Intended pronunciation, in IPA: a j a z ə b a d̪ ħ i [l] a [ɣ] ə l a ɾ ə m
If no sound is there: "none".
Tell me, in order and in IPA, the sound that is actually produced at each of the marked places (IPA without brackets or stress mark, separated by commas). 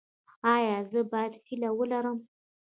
l, w